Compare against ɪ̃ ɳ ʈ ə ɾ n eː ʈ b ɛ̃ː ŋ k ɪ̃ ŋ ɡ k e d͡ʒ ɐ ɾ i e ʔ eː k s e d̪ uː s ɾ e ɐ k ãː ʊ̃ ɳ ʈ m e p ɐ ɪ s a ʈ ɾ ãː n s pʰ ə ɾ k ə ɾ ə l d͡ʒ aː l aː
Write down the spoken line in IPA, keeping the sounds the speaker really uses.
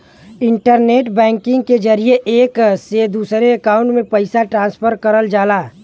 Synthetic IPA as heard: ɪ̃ ɳ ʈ ə ɾ n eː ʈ b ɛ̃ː ŋ k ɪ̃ ŋ ɡ k e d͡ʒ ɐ ɾ i e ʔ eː k s e d̪ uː s ɾ e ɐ k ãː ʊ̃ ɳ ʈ m ẽ p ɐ ɪ s a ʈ ɾ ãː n s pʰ ə ɾ k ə ɾ ə l d͡ʒ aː l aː